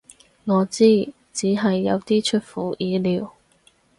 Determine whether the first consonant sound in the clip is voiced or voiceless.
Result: voiced